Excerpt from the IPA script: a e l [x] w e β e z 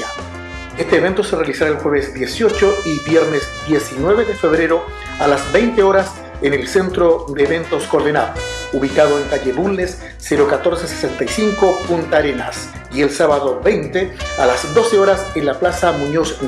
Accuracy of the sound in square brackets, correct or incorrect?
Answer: correct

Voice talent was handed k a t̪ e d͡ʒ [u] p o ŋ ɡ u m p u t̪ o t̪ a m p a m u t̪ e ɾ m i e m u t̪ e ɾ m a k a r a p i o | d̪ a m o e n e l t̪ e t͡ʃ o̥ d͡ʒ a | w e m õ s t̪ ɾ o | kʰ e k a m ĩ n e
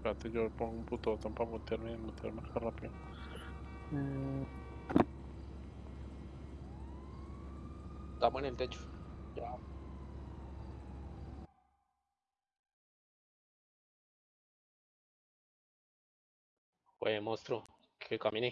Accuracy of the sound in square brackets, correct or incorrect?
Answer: incorrect: o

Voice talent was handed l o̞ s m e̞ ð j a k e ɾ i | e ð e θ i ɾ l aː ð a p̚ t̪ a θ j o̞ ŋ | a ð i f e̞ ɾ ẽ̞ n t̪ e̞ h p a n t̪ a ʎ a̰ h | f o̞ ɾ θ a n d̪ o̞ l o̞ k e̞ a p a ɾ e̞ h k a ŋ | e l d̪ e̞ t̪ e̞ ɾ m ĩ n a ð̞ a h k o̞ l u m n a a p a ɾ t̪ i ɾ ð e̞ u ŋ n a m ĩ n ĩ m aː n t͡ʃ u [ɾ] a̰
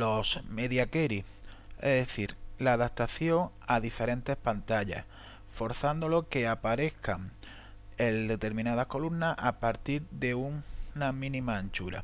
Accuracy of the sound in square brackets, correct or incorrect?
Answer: correct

